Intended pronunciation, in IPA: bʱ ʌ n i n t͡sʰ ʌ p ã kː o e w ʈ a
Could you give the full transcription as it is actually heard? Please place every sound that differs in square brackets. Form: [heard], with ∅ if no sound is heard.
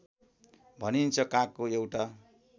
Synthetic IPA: bʱ ʌ n i n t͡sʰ ʌ [k] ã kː o e w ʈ a